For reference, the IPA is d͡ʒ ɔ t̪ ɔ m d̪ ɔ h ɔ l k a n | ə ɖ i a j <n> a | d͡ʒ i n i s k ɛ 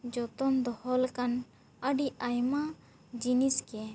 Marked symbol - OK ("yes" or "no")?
no